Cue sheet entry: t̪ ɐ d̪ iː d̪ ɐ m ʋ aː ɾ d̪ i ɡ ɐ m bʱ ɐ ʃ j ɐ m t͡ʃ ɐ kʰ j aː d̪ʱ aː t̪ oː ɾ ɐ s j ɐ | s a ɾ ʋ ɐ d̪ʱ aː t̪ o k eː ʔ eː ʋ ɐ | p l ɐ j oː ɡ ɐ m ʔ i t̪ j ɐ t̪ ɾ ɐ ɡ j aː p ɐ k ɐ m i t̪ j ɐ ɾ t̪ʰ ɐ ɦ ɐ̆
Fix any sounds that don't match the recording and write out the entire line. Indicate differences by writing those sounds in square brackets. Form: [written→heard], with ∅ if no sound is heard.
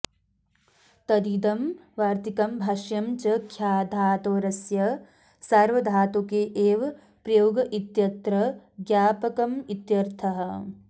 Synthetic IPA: t̪ ɐ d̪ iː d̪ ɐ m ʋ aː ɾ [d̪→t̪] i [ɡ→k] ɐ m bʱ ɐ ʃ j ɐ m t͡ʃ ɐ kʰ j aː d̪ʱ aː t̪ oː ɾ ɐ s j ɐ | s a ɾ ʋ ɐ d̪ʱ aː t̪ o k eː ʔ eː ʋ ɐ | p [l→ɾ] ɐ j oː ɡ ɐ [m→∅] ʔ i t̪ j ɐ t̪ ɾ ɐ ɡ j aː p ɐ k ɐ m i t̪ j ɐ ɾ t̪ʰ ɐ ɦ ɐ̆